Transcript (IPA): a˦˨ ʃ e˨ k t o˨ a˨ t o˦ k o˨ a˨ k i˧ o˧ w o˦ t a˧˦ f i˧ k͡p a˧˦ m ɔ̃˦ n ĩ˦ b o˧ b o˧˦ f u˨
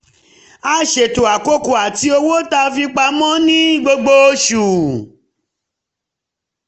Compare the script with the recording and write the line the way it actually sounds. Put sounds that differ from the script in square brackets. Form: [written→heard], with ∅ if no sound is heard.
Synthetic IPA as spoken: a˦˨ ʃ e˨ [k→∅] t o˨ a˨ [t→k] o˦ k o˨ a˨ [k→t] i˧ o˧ w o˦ t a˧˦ f i˧ k͡p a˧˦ m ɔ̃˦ n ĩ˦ [b→ɡ͡b] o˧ [b→ɡ͡b] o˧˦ [f→ʃ] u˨